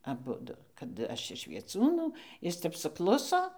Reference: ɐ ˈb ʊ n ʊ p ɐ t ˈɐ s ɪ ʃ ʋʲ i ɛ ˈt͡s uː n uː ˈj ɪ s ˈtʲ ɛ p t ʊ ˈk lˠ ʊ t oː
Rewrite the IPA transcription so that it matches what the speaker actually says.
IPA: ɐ ˈb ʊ d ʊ k ɐ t ˈɐ ʃ ɪ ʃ ʋʲ i ɛ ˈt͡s uː n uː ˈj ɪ s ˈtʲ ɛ p s ʊ ˈk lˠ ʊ s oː

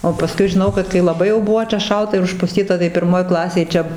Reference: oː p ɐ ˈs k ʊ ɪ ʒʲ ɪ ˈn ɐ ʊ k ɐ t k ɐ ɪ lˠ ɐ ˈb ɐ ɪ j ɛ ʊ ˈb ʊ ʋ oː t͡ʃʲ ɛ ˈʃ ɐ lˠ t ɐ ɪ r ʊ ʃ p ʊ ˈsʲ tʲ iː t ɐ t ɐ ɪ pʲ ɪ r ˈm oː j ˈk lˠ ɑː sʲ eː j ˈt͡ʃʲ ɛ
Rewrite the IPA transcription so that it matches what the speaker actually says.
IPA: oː p ɐ ˈs k ʊ ɪ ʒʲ ɪ ˈn ɐ ʊ k ɐ t k ɐ ɪ lˠ ɐ ˈb ɐ ɪ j ɛ ʊ ˈb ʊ ʋ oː t͡ʃʲ ɛ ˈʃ ɐ lˠ t ɐ ɪ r ʊ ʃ p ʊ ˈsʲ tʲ iː t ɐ t ɐ ɪ pʲ ɪ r ˈm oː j ˈk lˠ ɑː sʲ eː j ˈt͡ʃʲ ɛ

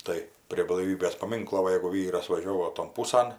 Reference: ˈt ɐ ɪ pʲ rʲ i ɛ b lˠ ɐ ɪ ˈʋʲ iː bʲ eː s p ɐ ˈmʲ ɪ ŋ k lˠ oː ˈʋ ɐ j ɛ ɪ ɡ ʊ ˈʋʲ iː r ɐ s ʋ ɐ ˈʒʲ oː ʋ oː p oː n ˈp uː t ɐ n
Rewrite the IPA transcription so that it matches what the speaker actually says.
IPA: ˈt ɐ ɪ pʲ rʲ i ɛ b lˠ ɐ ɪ ˈʋʲ iː bʲ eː s p ɐ ˈmʲ ɪ ŋ k lˠ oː ˈʋ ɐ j ɛ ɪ ɡ ʊ ˈʋʲ iː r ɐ s ʋ ɐ ˈʒʲ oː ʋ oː t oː n ˈp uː s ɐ n

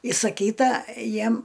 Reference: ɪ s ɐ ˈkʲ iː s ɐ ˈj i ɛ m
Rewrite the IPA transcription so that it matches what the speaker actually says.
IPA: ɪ s ɐ ˈkʲ iː t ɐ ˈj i ɛ m

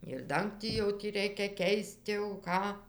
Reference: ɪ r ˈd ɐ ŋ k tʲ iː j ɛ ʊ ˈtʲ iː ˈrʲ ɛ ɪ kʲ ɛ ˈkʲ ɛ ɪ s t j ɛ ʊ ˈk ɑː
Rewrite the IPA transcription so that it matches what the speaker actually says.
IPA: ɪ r ˈd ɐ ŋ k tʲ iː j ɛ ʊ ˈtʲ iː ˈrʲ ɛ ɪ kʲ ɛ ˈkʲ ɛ ɪ s t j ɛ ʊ ˈk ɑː

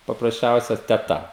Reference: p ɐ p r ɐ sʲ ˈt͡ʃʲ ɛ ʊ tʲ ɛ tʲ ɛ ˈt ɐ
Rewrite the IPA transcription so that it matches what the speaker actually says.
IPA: p ɐ p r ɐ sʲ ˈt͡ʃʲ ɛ ʊ sʲ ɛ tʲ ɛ ˈt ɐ

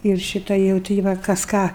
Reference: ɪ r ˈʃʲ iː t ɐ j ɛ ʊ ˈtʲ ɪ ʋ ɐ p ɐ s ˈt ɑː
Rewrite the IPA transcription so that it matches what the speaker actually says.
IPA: ɪ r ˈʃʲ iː t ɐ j ɛ ʊ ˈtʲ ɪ ʋ ɐ k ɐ s ˈk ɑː

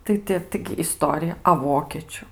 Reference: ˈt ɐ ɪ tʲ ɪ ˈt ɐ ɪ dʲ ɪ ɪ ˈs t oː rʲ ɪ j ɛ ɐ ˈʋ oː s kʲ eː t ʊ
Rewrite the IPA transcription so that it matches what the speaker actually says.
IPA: ˈt ɐ ɪ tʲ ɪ ˈt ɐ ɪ ɡʲ ɪ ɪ ˈs t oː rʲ ɪ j ɛ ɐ ˈʋ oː kʲ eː t͡ʃʲ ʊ

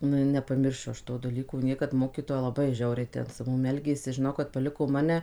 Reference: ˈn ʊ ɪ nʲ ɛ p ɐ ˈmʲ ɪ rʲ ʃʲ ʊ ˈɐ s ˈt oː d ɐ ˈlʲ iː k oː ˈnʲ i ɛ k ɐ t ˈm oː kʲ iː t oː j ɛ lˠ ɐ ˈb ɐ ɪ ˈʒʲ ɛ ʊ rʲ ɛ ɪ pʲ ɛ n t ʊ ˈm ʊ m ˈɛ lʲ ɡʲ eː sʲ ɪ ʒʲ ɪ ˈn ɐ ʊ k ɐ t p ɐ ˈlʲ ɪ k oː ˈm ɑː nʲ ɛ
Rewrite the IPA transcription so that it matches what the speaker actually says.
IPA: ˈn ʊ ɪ nʲ ɛ p ɐ ˈmʲ ɪ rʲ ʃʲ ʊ ˈɐ ʃ ˈt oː d ɐ ˈlʲ iː k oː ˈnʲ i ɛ k ɐ t ˈm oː kʲ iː t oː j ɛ lˠ ɐ ˈb ɐ ɪ ˈʒʲ ɛ ʊ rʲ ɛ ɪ tʲ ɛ n s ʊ ˈm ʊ m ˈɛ lʲ ɡʲ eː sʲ ɪ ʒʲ ɪ ˈn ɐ ʊ k ɐ t p ɐ ˈlʲ ɪ k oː ˈm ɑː nʲ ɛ

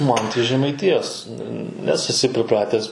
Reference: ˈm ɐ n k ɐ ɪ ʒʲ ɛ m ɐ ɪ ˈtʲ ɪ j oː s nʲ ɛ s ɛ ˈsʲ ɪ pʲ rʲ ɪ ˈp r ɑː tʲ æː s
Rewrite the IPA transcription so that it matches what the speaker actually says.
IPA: ˈm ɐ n t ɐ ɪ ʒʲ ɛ m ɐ ɪ ˈtʲ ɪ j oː s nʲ ɛ s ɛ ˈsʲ ɪ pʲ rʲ ɪ ˈp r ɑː tʲ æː s

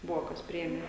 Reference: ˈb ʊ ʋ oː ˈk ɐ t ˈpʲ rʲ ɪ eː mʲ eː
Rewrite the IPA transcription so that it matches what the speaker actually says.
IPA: ˈb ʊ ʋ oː ˈk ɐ s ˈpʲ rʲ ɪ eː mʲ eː

